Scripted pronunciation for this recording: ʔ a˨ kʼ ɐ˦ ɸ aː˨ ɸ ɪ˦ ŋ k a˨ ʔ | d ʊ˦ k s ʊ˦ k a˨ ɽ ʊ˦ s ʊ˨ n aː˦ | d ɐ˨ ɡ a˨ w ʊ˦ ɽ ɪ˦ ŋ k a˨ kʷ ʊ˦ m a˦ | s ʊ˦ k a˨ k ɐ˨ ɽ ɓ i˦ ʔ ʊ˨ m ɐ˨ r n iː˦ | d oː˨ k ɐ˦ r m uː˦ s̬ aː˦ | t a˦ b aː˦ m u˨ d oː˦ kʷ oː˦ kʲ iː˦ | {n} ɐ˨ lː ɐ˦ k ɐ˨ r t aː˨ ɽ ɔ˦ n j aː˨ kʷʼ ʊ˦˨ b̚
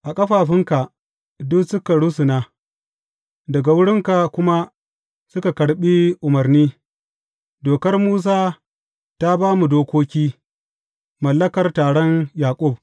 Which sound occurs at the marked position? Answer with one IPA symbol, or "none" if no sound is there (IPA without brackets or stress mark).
m